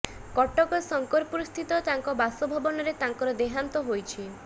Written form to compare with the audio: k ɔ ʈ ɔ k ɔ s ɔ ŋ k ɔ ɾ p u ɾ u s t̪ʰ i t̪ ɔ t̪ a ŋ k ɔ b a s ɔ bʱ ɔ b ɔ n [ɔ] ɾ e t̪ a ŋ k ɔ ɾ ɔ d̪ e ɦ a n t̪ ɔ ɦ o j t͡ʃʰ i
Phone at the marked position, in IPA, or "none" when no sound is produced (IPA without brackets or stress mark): ɔ